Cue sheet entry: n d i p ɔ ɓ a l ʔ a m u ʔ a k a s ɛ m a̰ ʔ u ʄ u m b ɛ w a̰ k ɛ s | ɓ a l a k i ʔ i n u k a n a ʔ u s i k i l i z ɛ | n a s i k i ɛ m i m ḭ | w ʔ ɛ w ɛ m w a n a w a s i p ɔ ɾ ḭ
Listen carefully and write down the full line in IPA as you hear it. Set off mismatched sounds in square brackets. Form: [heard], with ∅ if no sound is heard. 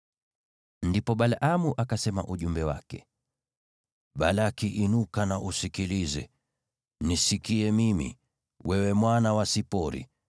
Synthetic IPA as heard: n d i p ɔ ɓ a l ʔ a m u ʔ a k a s ɛ m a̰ ʔ u ʄ u m b ɛ w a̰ k ɛ [∅] | ɓ a l a k i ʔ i n u k a n a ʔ u s i k i l i z ɛ | n [i] s i k i ɛ m i m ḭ | w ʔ ɛ w ɛ m w a n a w a s i p ɔ ɾ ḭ